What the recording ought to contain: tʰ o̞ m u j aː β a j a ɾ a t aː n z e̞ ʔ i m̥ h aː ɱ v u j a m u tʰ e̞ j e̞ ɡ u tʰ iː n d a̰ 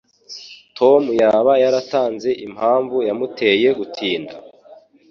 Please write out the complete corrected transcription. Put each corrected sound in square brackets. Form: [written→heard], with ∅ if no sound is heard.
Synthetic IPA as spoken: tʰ o̞ m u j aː β a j a ɾ a t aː n z e̞ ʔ i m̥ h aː ɱ v u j a m u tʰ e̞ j e̞ ɡ u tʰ iː n d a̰